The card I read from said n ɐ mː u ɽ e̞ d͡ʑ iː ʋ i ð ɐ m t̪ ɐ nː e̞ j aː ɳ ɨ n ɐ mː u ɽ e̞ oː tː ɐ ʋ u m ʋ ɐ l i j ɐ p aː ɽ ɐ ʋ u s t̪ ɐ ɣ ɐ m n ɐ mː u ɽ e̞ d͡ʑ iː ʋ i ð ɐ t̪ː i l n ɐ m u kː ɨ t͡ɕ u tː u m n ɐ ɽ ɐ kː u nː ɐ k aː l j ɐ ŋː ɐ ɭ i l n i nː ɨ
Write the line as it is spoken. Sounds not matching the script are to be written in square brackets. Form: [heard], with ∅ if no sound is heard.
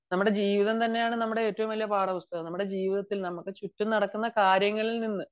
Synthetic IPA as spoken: n ɐ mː u ɽ e̞ d͡ʑ iː ʋ i ð ɐ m t̪ ɐ nː e̞ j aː ɳ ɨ n ɐ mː u ɽ e̞ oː tː ɐ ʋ u m ʋ ɐ l i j ɐ p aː ɽ ɐ ʋ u s t̪ ɐ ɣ ɐ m n ɐ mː u ɽ e̞ d͡ʑ iː ʋ i ð ɐ t̪ː i l n ɐ m u kː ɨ t͡ɕ u tː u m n ɐ ɽ ɐ kː u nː ɐ k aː [ɾ] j ɐ ŋː ɐ ɭ i l n i nː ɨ